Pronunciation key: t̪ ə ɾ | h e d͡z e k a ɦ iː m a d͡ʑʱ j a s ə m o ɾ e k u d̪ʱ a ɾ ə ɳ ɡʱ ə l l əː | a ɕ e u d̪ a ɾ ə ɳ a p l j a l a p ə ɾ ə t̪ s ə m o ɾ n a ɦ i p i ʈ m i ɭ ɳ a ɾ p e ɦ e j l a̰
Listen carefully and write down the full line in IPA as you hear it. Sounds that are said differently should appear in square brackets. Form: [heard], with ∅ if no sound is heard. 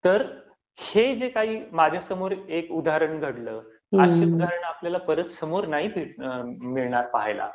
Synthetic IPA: t̪ ə ɾ | h e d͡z e k a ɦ iː m a d͡ʑʱ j a s ə m o ɾ e k u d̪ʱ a ɾ ə ɳ ɡʱ ə [ɽ] l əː | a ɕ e u d̪ a ɾ ə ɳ a p l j a l a p ə ɾ ə t̪ s ə m o ɾ n a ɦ i p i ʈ m i ɭ ɳ a ɾ p [a] ɦ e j l a̰